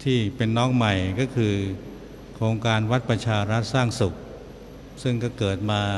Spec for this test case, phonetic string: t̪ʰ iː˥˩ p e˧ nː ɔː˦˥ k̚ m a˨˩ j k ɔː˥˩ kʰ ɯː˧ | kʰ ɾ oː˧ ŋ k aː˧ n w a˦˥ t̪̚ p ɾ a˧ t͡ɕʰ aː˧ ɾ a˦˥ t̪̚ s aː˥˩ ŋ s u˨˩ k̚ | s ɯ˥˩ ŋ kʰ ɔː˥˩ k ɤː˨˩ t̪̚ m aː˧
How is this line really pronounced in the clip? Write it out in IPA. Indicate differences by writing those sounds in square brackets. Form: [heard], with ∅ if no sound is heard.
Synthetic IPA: t̪ʰ iː˥˩ p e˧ nː ɔː˦˥ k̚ m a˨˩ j k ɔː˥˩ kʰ ɯː˧ | kʰ ɾ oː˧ ŋ k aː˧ n w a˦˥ t̪̚ p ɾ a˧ t͡ɕʰ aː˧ ɾ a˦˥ t̪̚ s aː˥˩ ŋ s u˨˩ k̚ | s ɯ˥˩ ŋ [k] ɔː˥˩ k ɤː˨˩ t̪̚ m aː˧